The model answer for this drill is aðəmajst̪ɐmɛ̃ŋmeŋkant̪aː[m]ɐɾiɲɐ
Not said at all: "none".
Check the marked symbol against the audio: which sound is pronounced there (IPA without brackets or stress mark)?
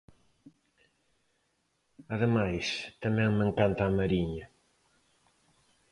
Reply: m